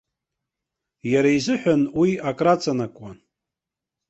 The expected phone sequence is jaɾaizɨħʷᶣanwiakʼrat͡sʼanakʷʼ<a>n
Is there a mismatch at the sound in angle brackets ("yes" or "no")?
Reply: no